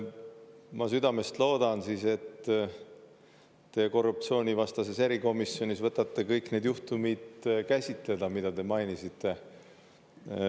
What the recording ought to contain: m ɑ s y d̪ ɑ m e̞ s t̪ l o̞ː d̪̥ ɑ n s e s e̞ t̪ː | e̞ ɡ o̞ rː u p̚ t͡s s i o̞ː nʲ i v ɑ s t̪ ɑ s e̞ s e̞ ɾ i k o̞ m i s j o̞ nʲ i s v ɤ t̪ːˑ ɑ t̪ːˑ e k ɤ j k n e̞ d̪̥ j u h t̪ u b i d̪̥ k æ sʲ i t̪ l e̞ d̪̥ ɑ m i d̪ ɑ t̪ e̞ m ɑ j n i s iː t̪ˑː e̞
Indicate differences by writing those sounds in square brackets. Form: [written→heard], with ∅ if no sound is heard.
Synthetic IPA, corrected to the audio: m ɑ s y d̪ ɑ m e̞ s t̪ l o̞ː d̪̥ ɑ n s [e→i] s e̞ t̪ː | e̞ [ɡ→k] o̞ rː u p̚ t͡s s i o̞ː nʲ i v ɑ s t̪ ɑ s e̞ s e̞ ɾ i k o̞ m i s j o̞ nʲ i s v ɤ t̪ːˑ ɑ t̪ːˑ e k ɤ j k n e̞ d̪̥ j u h t̪ u [b→m] i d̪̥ k æ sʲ i t̪ l e̞ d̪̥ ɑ m i d̪ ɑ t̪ e̞ m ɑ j n i s [iː→i] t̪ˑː e̞